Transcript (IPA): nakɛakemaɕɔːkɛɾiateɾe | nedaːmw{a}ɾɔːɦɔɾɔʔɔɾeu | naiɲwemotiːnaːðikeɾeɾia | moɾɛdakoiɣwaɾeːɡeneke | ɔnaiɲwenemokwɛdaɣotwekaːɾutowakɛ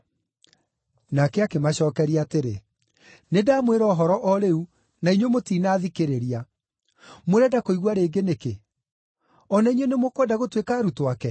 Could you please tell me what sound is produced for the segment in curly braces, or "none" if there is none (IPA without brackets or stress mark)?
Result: e